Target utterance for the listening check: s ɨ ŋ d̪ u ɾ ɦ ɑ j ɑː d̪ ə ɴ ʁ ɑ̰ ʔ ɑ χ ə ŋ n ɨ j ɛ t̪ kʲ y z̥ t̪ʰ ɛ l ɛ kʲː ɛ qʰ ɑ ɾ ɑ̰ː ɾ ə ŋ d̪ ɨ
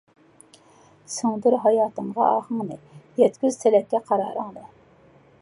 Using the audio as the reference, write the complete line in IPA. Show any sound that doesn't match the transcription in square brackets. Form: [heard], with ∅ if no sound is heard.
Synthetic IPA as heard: s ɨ ŋ d̪ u ɾ ɦ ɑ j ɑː [t̪] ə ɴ ʁ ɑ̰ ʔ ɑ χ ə ŋ n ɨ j ɛ t̪ kʲ y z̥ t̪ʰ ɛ l ɛ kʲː ɛ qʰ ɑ ɾ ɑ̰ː ɾ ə ŋ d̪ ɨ